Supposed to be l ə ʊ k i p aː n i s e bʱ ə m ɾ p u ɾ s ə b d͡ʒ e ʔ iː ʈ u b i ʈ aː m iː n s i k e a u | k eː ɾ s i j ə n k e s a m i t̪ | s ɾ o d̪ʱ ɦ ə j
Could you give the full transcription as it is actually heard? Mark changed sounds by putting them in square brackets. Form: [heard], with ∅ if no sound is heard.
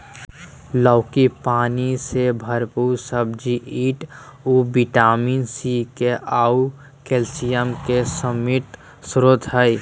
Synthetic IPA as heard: l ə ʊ k i p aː n i s e bʱ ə [∅] ɾ p u ɾ s ə b d͡ʒ [i] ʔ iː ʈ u b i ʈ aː m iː n s i k e a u | k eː [l] s i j ə [m] k e s [ə] m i t̪ | s ɾ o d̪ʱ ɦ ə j